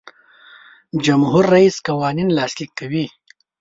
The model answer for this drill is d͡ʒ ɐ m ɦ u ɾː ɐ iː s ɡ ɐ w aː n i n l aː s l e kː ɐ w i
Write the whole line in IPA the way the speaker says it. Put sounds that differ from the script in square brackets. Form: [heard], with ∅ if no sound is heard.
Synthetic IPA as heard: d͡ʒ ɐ m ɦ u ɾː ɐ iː s [k] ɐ w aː n i n l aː s l [i] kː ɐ w i